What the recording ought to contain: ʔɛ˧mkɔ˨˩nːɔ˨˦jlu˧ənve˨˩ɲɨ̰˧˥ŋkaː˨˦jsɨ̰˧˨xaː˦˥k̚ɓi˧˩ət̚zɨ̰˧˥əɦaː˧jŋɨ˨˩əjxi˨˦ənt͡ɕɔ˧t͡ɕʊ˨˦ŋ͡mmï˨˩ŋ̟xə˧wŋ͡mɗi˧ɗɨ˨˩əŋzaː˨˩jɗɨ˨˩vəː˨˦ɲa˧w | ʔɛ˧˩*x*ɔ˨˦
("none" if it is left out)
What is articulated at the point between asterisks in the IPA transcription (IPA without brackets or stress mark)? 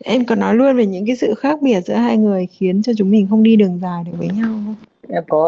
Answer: k